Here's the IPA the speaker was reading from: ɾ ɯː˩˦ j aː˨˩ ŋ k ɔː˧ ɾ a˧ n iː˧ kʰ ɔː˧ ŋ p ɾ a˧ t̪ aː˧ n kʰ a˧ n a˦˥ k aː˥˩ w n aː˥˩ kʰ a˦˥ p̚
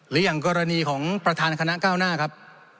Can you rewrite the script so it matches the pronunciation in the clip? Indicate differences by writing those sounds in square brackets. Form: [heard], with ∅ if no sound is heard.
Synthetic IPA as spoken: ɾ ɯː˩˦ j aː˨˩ ŋ k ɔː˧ ɾ a˧ n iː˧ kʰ [ɔː˩˦] ŋ p ɾ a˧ [t̪ʰ] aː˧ n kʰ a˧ n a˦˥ k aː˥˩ w n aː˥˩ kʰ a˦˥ p̚